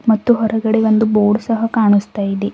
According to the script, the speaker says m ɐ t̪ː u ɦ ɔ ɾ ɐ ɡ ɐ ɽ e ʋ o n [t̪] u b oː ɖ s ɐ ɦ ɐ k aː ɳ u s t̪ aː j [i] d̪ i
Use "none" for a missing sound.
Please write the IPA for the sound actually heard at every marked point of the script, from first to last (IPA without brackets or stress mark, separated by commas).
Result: d̪, i